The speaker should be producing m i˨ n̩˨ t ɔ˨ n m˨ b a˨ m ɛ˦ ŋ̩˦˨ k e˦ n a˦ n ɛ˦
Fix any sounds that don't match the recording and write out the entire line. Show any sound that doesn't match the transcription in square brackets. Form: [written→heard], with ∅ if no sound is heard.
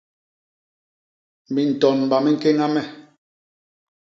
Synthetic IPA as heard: m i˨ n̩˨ t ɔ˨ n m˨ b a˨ m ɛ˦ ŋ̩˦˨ k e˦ [n→ŋ] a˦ [n→m] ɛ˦